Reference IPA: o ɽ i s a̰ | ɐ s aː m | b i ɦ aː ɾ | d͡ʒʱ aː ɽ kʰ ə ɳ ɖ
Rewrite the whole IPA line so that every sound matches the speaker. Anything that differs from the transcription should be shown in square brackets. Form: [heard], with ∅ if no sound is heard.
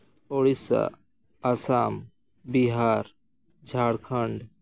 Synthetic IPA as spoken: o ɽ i s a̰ | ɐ s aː m | b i ɦ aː ɾ | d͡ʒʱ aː ɽ kʰ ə ɳ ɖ